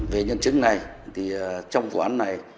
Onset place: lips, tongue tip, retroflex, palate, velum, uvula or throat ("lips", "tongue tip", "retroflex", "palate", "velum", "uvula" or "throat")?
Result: lips